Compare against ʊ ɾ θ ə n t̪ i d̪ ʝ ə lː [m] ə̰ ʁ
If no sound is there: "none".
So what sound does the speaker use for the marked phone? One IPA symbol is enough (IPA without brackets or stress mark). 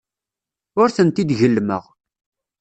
m